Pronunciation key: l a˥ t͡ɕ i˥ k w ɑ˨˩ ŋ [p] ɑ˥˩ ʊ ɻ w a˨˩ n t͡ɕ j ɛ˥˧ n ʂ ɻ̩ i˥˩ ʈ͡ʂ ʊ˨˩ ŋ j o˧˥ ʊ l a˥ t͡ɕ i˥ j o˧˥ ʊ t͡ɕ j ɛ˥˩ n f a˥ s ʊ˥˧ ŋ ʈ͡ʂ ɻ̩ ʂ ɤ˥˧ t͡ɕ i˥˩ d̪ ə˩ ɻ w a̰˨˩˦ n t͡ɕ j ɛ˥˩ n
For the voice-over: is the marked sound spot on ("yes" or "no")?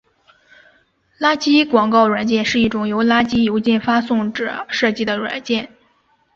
no